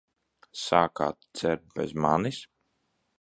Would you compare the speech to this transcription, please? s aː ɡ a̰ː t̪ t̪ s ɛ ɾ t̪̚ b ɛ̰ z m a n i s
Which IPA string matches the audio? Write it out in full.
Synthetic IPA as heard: s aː k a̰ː t̪ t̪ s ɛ ɾ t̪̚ b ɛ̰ z m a n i s